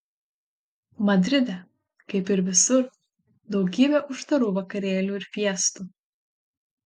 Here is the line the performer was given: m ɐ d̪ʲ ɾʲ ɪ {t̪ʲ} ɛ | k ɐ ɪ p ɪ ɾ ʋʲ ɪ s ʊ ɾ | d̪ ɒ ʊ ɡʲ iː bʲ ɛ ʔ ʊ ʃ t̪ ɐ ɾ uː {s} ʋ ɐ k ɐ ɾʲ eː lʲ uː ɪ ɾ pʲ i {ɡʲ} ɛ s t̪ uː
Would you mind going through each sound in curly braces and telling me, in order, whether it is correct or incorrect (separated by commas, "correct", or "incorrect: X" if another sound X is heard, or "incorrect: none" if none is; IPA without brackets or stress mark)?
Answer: incorrect: d̪ʲ, incorrect: none, incorrect: none